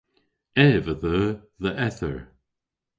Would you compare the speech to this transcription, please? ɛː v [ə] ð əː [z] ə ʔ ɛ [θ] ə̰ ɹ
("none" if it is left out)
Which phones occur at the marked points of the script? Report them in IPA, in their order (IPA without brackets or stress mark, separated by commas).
ə, ð, θ